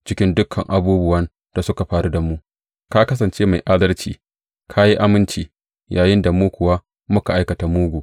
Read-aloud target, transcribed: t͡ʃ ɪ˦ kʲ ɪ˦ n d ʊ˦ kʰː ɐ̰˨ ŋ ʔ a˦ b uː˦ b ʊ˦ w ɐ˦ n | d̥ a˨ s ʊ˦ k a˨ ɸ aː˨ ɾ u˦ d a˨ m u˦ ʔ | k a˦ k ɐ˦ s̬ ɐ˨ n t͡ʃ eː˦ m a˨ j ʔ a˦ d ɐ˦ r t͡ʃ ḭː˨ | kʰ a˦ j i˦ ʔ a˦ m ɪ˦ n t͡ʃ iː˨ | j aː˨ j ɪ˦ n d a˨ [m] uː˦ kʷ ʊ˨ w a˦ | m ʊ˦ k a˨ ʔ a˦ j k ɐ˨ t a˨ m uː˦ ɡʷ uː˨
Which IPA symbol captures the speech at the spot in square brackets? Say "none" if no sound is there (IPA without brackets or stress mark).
m